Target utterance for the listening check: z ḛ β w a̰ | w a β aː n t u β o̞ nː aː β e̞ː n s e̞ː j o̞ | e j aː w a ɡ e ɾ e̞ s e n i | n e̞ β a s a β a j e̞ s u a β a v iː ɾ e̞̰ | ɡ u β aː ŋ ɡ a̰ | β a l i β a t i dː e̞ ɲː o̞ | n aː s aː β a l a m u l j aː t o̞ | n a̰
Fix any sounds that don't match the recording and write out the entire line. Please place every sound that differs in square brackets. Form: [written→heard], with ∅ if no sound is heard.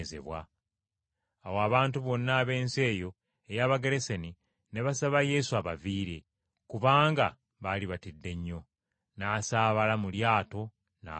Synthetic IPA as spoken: z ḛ β w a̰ | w a β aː n t u β o̞ nː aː β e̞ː n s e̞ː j o̞ | e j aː [w→β] a ɡ e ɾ e̞ s e n i | n e̞ β a s a β a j e̞ s u a β a v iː ɾ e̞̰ | [ɡ→k] u β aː ŋ ɡ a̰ | β a l i β a t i dː e̞ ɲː o̞ | n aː s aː β a l a m u l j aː t o̞ | n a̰